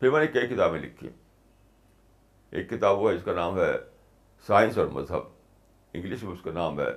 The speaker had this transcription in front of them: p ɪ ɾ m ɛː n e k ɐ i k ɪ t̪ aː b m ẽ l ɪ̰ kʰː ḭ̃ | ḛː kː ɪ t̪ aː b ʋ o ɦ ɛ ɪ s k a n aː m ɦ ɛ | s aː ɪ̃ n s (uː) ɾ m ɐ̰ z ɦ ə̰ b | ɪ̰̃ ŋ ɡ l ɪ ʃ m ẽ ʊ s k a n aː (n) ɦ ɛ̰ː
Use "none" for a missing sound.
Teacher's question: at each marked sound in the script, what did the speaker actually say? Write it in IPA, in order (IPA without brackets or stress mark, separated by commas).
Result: ɔː, m